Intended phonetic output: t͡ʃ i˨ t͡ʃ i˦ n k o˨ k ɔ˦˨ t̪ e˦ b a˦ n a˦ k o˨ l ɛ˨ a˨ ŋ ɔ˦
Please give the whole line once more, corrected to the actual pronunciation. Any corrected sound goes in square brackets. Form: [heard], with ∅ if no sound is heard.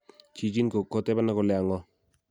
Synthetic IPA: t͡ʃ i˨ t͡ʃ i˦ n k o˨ k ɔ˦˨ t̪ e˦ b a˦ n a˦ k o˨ l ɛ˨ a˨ ŋ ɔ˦